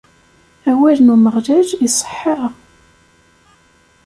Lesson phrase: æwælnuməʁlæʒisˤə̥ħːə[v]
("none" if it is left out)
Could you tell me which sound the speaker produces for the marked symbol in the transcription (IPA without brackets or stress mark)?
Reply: ʁ